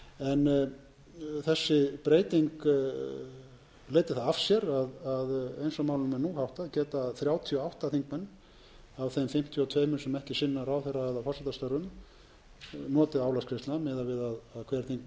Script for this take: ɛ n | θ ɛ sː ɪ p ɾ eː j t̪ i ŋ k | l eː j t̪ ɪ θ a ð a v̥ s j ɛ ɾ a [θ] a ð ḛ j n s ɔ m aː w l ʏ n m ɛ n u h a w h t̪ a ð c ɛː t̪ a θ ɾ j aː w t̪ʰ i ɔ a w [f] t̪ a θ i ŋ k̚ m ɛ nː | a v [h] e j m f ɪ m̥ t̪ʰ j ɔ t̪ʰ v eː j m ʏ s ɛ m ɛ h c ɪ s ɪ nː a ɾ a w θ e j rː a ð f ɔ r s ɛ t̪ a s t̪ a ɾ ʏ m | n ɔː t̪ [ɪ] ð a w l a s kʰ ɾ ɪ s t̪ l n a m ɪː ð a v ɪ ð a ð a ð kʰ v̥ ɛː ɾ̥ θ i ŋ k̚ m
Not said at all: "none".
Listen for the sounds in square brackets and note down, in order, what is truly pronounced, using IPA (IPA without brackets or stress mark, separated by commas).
ð, h, θ, ɪ